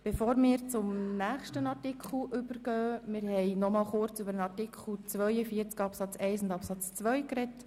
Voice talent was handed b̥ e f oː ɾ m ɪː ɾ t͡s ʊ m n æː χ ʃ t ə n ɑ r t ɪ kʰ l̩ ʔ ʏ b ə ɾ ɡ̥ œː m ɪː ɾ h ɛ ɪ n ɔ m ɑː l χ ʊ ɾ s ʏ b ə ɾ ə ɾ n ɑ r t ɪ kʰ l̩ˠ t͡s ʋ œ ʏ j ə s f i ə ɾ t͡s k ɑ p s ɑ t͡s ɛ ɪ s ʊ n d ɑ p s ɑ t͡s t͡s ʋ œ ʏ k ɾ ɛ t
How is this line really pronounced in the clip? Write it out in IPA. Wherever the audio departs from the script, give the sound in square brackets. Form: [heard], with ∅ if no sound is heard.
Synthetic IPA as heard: b̥ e f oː ɾ m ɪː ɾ t͡s ʊ m n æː χ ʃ t ə n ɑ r t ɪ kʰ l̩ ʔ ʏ b ə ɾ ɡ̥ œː m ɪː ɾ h ɛ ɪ n ɔ m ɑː l χ ʊ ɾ [t͡s] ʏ b ə ɾ ə [∅] n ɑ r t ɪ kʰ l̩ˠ t͡s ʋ œ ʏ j ə [∅] f i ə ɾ t͡s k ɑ p s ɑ t͡s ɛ ɪ s ʊ n d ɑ p s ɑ t͡s t͡s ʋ œ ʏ k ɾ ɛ t